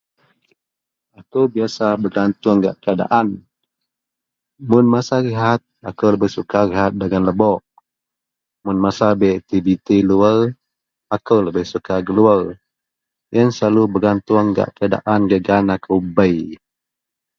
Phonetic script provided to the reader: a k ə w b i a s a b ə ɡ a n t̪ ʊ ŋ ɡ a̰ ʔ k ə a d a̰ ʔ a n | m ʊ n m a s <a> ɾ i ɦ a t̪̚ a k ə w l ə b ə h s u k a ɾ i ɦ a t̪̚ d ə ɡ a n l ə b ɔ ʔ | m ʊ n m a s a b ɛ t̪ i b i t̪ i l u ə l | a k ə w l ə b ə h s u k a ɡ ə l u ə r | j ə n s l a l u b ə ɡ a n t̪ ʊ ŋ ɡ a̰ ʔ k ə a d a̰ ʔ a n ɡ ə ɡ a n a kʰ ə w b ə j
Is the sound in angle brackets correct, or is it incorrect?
correct